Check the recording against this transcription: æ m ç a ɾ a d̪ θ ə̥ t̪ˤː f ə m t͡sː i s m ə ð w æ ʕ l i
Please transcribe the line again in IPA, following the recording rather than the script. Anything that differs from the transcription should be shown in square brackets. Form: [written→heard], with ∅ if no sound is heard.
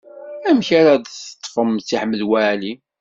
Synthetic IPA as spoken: æ m ç a ɾ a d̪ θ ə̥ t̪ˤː f ə m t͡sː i [s→ħ] m ə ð w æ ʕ l i